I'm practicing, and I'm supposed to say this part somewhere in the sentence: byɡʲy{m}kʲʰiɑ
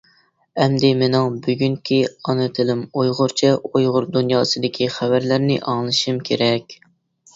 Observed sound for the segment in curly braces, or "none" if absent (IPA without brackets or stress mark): ŋ